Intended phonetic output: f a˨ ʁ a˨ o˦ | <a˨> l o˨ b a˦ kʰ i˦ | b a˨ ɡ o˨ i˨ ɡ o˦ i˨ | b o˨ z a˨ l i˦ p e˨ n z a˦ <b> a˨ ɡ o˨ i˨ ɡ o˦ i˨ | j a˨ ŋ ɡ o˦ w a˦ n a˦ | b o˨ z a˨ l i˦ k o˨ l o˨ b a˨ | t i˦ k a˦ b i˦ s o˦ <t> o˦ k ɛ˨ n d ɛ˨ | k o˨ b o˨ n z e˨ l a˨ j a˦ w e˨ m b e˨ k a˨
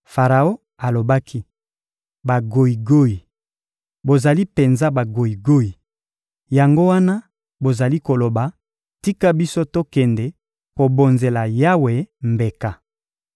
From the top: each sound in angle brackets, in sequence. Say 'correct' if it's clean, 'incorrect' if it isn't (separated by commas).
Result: correct, correct, correct